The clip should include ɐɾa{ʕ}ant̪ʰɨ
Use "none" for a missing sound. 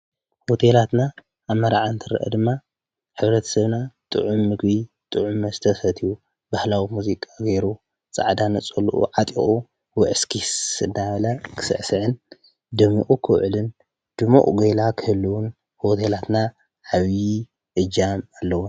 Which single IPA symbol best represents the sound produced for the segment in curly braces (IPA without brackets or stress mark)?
ʕ